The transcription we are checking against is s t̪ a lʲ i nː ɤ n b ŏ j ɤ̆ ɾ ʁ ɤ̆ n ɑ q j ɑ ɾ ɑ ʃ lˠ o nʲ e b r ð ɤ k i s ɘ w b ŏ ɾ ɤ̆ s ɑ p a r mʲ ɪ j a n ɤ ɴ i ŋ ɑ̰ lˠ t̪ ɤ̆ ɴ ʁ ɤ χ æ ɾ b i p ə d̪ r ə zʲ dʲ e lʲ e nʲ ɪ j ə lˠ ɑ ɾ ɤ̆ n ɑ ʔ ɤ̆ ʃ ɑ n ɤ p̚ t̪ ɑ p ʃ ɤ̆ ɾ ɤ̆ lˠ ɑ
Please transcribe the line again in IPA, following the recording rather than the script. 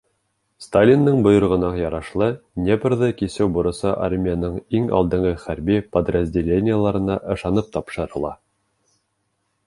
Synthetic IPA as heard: s t̪ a lʲ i nː ɤ ɴ b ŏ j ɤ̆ ɾ ʁ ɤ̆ n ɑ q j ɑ ɾ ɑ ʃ lˠ ɤ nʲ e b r ð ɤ k i s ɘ w b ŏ ɾ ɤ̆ s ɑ ʔ a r mʲ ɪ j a n ɤ ɴ i ŋ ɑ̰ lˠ d̪ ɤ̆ ɴ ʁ ɤ χ æ ɾ b i p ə d̪ r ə zʲ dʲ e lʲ e nʲ ɪ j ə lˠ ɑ ɾ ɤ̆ n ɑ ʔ ɤ̆ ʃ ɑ n ɤ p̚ t̪ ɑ p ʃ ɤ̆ ɾ ɤ̆ lˠ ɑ

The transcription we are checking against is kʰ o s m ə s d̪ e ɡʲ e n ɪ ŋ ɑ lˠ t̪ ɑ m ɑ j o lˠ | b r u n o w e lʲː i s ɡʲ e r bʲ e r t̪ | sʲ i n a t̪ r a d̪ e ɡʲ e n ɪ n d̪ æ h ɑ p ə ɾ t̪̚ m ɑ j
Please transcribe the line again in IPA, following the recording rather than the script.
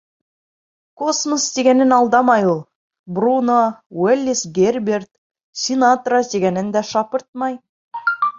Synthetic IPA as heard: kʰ o s m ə s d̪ e ɡʲ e n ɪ n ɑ lˠ d̪ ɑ m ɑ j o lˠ | b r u n o w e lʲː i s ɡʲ e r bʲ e r t̪ | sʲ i n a t̪ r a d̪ e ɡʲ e n ɪ n d̪ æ ʃ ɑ p ə ɾ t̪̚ m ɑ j

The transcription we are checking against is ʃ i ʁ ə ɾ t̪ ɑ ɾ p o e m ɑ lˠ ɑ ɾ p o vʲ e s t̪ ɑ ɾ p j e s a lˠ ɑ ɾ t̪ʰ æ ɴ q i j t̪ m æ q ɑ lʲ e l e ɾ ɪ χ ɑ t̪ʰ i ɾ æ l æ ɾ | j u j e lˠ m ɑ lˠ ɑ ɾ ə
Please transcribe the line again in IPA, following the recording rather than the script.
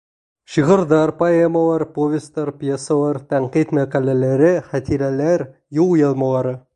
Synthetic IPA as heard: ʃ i ʁ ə ɾ d̪ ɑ ɾ p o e m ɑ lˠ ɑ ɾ p o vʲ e s t̪ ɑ ɾ p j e s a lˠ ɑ ɾ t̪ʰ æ ɴ q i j t̪ m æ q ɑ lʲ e l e ɾ ɪ χ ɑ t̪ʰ i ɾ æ l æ ɾ | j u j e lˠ m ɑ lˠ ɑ ɾ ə

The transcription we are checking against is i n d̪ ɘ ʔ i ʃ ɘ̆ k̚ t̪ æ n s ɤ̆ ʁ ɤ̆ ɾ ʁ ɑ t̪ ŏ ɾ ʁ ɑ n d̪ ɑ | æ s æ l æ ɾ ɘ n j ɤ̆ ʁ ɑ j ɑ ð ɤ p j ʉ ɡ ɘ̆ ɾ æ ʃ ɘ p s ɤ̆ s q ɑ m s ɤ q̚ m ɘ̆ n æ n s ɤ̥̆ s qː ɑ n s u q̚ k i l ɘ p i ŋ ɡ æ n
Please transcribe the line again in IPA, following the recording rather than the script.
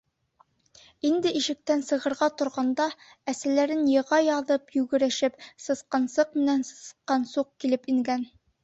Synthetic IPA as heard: i n d̪ ɘ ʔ i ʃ ɘ̆ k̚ t̪ æ n s ɤ̆ ʁ ɤ̆ ɾ ʁ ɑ t̪ ŏ ɾ ʁ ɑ n d̪ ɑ | æ s æ l æ ɾ ɘ n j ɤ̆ ʁ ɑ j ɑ ð ɤ p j ʉ ɡ ɘ̆ ɾ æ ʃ ɘ p s ɤ̆ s q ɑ n s ɤ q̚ m ɘ̆ n æ n s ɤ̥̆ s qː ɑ n s u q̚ k i l ɘ p i ŋ ɡ æ n

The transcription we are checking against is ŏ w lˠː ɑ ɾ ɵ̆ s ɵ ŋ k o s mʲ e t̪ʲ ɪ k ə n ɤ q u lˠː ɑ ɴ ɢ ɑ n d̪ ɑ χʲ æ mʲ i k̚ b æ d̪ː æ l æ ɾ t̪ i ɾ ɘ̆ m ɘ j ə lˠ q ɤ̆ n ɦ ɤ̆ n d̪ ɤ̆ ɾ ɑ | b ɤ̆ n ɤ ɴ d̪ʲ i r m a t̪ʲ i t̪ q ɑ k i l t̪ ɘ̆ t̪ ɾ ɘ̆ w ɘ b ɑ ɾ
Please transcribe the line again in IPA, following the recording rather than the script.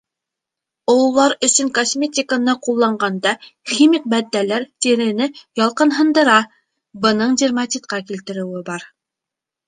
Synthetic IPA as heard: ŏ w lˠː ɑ ɾ ɵ̆ s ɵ ŋ k o s mʲ e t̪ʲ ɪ k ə n ɤ q u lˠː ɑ ɴ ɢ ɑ n d̪ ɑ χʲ i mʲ i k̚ b æ d̪ː æ l æ ɾ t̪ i ɾ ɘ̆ n ɘ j ɑ lˠ q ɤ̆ n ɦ ɤ̆ n d̪ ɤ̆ ɾ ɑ | b ɤ̆ n ɤ ɴ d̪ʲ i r m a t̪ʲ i t̪ q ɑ k i l t̪ ɘ̆ ɾ ɘ̆ w ɘ b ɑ ɾ

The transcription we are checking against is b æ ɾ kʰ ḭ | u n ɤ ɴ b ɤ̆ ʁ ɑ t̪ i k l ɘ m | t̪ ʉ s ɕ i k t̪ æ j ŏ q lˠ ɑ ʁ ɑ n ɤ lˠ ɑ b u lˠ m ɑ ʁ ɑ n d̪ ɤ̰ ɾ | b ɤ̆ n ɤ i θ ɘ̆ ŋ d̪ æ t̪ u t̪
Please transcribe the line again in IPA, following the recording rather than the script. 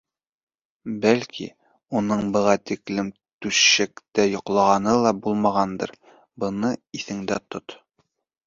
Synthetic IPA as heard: b æ l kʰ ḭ | u n ɤ ɴ b ɤ̆ ʁ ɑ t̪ i k l ɘ m | t̪ ʉ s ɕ æ k t̪ æ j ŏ q lˠ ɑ ʁ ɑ n ɤ lˠ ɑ b u lˠ m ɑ ʁ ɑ n d̪ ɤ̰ ɾ | b ɤ̆ n ɤ i θ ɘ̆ ŋ d̪ æ t̪ o t̪

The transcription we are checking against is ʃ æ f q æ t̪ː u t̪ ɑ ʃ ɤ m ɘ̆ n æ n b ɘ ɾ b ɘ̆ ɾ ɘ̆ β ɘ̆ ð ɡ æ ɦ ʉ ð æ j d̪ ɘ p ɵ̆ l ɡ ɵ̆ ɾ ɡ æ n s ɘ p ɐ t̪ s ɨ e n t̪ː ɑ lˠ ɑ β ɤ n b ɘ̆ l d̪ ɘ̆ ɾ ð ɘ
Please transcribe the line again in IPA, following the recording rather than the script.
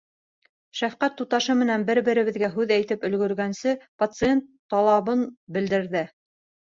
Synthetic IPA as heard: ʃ æ f q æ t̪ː u t̪ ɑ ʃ ɤ m ɘ̆ n æ n b ɘ ɾ b ɘ̆ ɾ ɘ̆ β ɘ̆ ð ɡ æ ɦ ʉ ð æ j t̪ ɘ p ɵ̆ l ɡ ɵ̆ ɾ ɡ æ n s ɘ p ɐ t̪ s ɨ e n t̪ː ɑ lˠ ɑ β ɤ n b ɘ̆ l d̪ ɘ̆ ɾ ð ɘ

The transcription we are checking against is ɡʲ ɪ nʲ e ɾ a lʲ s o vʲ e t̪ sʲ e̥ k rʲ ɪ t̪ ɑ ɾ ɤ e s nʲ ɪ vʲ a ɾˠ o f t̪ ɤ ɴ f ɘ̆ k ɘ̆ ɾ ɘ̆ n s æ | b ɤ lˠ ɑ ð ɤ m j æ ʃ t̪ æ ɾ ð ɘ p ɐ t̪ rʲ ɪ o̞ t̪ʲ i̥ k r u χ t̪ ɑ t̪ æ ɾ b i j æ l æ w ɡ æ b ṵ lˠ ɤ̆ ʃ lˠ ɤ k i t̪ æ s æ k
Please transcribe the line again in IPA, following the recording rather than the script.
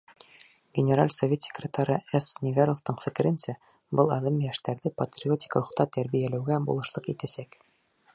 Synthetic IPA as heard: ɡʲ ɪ nʲ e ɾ a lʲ s o vʲ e t̪ sʲ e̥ k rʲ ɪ t̪ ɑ ɾ ɤ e s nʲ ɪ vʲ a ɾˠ o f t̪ ɤ ɴ f ɘ̆ k ɘ̆ ɾ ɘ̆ n s æ | b ɤ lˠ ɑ ð ɤ m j æ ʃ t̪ æ ɾ ð ɘ p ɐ t̪ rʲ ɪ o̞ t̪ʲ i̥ k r u χ t̪ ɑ t̪ æ ɾ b i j æ l æ w ɡ æ b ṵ lˠ ɤ̆ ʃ lˠ ɤ q i t̪ æ s æ k

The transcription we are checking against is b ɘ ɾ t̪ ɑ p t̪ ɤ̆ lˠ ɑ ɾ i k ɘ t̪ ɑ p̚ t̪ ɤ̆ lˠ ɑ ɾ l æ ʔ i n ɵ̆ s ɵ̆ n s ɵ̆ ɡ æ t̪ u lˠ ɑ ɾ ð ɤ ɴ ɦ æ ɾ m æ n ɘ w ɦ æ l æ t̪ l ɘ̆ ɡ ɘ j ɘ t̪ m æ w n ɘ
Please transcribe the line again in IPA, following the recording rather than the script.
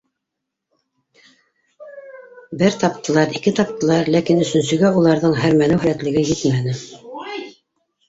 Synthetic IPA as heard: b ɘ ɾ t̪ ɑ p t̪ ɤ̆ lˠ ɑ ɾ i k ɘ t̪ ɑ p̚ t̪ ɤ̆ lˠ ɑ ɾ l æ k i n ɵ̆ s ɵ̆ n s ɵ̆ ɡ æ u lˠ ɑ ɾ ð ɤ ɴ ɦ æ ɾ m æ n ɘ w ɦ æ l æ t̪ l ɘ̆ ɡ ɘ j ɘ t̪ m æ n ɘ

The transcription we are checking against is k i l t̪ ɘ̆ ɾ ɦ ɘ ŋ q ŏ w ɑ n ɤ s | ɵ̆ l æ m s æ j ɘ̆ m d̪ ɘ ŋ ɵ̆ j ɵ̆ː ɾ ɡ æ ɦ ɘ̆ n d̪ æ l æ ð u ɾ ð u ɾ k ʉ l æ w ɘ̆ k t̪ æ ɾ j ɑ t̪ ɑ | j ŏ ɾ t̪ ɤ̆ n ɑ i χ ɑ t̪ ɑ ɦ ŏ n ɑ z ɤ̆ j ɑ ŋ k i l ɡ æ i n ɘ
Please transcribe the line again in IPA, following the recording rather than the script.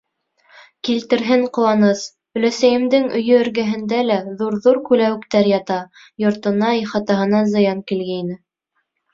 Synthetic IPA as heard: k i l t̪ ɘ̆ ɾ ɦ ɘ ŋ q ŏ w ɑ n ɤ s | ɵ̆ l æ s æ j ɘ̆ m d̪ ɘ ŋ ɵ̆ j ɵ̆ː ɾ ɡ æ ɦ ɘ̆ n d̪ æ l æ ð u ɾ ð u ɾ k ʉ l æ w ɘ̆ k t̪ æ ɾ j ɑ t̪ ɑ | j ŏ ɾ t̪ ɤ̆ n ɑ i χ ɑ t̪ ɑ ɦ ɤ̆ n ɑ z ɤ̆ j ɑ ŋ k i l ɡ æ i n ɘ

